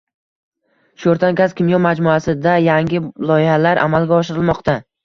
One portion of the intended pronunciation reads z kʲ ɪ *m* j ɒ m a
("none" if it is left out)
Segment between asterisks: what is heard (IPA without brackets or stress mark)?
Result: m